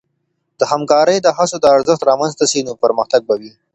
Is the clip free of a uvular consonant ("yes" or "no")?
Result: yes